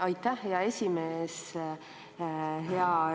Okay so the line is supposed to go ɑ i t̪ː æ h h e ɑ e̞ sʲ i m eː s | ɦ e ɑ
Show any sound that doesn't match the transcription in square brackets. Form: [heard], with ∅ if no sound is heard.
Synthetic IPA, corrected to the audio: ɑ [j] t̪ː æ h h e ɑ e̞ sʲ i m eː s | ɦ e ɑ